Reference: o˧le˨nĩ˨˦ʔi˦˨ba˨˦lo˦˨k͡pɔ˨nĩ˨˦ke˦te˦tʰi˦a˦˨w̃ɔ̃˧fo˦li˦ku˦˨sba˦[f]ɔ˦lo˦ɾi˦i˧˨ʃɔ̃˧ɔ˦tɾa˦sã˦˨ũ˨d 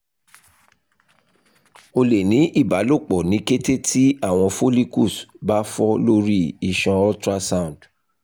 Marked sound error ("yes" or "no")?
no